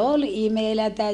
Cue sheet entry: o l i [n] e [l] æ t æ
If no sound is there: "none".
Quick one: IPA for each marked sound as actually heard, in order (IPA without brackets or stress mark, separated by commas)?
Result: m, l